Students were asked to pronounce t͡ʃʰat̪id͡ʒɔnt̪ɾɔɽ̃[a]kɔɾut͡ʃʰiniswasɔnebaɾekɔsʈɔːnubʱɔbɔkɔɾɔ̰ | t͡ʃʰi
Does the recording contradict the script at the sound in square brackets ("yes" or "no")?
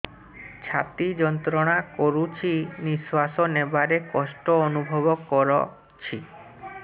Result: no